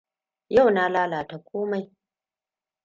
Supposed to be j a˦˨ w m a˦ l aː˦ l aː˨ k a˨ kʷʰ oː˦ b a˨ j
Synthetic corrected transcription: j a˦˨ w n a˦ l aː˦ l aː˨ t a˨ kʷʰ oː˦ m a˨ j